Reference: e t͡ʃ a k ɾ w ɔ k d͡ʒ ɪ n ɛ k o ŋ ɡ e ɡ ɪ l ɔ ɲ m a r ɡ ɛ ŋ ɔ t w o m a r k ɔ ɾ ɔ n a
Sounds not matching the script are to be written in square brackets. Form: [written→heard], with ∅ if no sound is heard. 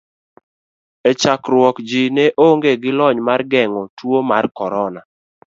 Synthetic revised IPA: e t͡ʃ a k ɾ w ɔ k d͡ʒ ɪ n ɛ [k→ʔ] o ŋ ɡ e ɡ ɪ l ɔ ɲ m a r ɡ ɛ ŋ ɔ t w o m a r k ɔ ɾ ɔ n a